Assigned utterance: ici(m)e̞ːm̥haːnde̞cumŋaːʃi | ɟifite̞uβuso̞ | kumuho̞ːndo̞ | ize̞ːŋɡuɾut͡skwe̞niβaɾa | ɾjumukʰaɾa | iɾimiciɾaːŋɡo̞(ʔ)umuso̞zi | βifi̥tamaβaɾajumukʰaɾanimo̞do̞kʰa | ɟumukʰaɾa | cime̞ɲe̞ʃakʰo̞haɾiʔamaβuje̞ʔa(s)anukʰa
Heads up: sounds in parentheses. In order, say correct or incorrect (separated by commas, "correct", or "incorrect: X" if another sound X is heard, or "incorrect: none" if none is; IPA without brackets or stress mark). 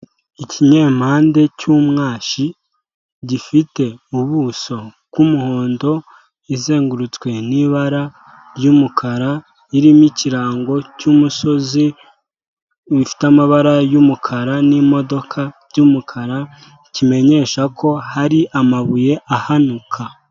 incorrect: ɲ, incorrect: c, incorrect: h